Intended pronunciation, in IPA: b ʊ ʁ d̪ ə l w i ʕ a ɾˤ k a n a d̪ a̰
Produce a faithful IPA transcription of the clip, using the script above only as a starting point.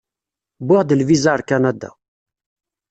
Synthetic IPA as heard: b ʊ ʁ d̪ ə l v i z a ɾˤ k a n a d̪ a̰